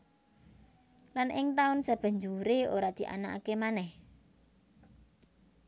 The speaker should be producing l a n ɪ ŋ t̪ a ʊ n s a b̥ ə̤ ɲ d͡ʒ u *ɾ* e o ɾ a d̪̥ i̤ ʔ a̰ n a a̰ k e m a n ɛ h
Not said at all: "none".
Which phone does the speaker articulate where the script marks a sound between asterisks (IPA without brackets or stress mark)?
ɾ